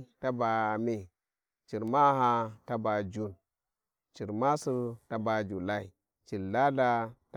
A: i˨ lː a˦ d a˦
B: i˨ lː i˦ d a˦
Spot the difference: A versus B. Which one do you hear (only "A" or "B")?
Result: A